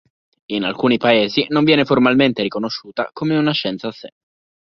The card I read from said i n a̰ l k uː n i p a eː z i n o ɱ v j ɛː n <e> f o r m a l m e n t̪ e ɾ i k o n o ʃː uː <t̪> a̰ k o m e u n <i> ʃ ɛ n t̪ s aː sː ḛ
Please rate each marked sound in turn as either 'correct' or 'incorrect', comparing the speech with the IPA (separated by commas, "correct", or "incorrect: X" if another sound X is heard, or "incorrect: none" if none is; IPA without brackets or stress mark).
correct, correct, incorrect: a